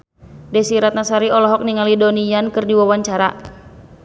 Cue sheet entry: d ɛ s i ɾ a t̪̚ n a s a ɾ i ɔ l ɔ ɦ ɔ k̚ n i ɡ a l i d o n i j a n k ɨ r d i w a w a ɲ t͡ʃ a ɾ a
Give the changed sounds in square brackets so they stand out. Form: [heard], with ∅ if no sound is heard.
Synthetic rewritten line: d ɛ s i ɾ a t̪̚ n a s a ɾ i ɔ l ɔ ɦ ɔ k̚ n i [ŋ] a l i d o n i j a n k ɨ r d i w a w a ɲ t͡ʃ a ɾ a